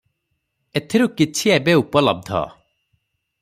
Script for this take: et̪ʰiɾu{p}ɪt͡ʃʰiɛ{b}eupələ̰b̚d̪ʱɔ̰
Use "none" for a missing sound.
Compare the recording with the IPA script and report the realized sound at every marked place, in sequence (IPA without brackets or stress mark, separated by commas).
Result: k, b